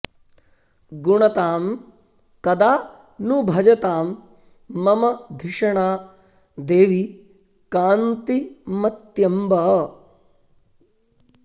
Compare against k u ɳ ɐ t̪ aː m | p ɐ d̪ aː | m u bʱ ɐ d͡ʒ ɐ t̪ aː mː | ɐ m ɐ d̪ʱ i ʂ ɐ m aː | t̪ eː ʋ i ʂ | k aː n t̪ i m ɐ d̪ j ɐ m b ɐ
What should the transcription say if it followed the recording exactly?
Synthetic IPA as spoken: ɡ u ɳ ɐ t̪ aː m | k ɐ d̪ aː | n u bʱ ɐ d͡ʒ ɐ t̪ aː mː | ɐ m ɐ d̪ʱ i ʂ ɐ ɳ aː | d̪ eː ʋ i | k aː n t̪ i m ɐ t̪ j ɐ m b ɐ